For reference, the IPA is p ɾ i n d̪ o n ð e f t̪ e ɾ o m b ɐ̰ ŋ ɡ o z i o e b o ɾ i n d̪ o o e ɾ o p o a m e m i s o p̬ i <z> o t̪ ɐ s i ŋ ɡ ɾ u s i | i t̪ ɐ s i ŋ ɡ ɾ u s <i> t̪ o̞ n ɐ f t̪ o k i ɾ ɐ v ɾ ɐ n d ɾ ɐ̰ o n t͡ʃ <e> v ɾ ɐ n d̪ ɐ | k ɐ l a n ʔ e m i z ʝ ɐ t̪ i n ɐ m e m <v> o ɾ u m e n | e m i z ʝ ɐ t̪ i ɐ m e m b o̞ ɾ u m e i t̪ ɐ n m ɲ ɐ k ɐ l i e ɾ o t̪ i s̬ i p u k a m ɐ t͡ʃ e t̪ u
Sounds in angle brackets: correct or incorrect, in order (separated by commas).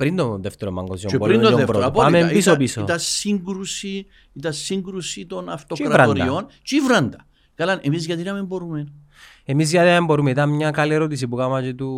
incorrect, correct, incorrect, incorrect